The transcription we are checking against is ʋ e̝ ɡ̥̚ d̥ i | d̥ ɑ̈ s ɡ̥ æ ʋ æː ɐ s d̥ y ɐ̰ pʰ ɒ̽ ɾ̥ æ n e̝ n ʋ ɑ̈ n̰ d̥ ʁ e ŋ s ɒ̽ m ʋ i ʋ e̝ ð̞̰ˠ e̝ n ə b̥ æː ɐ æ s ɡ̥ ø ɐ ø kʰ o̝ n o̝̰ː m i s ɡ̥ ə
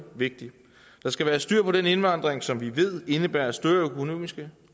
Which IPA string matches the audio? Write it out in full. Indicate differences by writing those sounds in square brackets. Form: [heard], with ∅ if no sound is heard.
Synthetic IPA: ʋ e̝ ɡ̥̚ d̥ i | d̥ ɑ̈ s ɡ̥ æ ʋ æː ɐ s d̥ y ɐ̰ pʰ ɒ̽ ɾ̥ [e] n e̝ n ʋ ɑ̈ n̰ d̥ ʁ e ŋ s ɒ̽ m ʋ i ʋ e̝ ð̞̰ˠ e̝ n ə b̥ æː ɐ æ s [d̥] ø ɐ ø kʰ o̝ n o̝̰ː m i s ɡ̥ ə